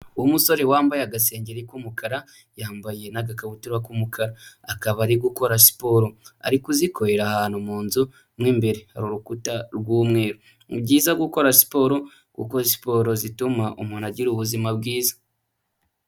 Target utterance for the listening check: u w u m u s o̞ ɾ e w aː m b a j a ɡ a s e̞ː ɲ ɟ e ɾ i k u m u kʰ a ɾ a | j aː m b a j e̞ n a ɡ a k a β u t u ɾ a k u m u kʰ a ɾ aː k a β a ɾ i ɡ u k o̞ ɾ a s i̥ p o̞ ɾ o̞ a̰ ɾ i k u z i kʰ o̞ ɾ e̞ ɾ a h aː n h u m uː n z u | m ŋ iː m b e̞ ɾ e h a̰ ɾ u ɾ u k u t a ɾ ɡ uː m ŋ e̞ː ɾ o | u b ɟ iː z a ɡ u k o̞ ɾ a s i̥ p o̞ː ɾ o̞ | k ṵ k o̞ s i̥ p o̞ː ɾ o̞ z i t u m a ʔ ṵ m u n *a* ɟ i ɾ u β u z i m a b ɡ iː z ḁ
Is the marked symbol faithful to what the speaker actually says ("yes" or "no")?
yes